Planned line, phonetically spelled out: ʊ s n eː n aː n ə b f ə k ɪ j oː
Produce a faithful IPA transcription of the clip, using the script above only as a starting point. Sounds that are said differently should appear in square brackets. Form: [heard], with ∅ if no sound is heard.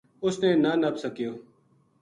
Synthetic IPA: ʊ s n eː n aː n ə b [s] ə k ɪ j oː